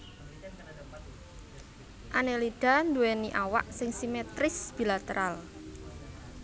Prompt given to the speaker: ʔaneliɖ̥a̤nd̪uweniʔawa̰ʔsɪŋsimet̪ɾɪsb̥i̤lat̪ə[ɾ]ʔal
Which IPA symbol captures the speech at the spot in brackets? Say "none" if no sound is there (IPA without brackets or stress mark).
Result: ɾ